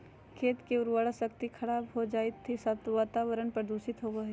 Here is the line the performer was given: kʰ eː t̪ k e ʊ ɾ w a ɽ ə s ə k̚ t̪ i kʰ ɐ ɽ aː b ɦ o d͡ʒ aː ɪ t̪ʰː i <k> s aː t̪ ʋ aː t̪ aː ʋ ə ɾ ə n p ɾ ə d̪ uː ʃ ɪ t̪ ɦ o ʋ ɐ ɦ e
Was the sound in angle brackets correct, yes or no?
no